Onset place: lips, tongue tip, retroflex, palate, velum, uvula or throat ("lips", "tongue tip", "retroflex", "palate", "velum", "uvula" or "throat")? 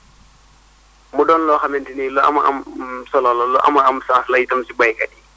lips